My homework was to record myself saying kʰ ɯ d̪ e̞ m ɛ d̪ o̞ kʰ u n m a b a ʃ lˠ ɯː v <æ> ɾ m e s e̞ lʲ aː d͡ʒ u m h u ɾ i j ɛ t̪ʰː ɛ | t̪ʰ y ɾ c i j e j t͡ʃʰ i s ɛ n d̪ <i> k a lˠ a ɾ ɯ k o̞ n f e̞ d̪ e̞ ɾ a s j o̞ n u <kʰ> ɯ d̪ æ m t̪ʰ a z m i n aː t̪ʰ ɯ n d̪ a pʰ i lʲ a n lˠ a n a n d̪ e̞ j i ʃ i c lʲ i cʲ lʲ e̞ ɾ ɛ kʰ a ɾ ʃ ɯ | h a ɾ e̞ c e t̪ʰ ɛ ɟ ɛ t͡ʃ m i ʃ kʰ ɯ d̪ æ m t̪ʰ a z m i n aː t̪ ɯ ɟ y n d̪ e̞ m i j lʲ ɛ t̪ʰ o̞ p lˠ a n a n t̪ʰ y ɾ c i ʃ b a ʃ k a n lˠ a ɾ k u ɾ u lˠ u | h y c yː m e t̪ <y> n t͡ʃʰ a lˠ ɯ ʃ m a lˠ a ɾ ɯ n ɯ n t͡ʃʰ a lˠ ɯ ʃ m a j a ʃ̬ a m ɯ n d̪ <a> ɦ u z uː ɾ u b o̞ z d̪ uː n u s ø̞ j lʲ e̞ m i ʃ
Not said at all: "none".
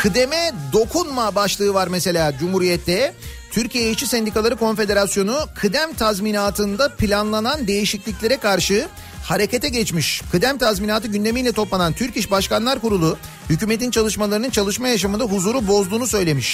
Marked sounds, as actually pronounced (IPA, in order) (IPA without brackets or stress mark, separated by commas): a, i, kʰ, i, a